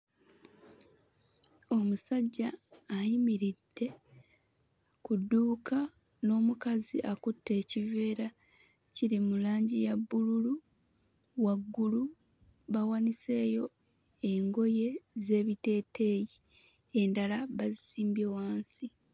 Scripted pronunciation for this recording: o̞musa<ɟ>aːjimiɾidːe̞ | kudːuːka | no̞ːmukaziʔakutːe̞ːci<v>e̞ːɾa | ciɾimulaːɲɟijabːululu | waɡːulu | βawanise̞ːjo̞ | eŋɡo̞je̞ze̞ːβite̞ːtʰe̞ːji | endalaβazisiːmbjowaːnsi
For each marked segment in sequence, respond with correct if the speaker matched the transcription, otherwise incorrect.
incorrect, correct

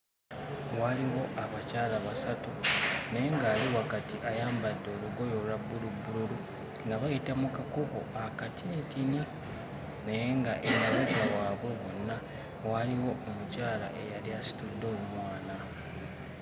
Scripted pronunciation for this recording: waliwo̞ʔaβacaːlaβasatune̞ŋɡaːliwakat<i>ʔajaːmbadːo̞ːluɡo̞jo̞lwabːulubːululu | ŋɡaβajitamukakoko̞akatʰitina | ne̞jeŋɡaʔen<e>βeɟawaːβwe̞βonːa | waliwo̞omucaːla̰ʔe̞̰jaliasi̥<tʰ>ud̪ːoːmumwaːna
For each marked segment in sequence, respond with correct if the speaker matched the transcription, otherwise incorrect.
correct, incorrect, incorrect

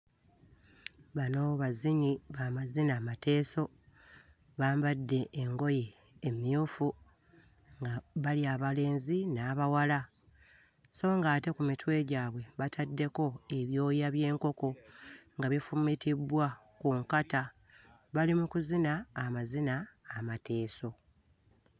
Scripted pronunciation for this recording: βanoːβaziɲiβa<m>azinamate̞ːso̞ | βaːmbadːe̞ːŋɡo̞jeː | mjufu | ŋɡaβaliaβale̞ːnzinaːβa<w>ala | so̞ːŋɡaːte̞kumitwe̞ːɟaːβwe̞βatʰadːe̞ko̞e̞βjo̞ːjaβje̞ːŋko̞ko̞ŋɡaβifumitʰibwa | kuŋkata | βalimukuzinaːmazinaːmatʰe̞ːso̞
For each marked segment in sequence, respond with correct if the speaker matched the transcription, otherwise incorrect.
correct, correct

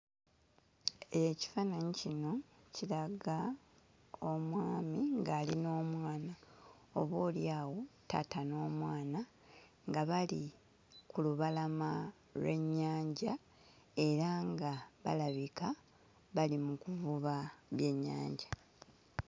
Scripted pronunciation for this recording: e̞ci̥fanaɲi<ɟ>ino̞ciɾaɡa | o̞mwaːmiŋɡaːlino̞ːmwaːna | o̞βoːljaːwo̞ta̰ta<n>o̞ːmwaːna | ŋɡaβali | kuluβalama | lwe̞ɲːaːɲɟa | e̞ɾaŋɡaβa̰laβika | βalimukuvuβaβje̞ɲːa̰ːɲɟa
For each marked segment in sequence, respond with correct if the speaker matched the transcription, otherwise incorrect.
incorrect, correct

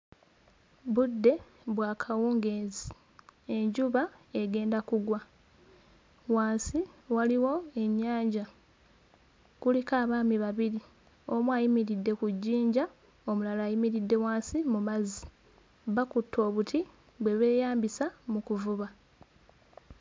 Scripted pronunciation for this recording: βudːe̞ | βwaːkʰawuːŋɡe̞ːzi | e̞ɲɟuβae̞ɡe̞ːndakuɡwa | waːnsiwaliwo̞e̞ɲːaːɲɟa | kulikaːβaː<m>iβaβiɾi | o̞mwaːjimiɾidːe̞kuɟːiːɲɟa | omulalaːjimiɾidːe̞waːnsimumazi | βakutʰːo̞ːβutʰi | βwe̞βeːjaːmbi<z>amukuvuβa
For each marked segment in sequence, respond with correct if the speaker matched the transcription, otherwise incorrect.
correct, incorrect

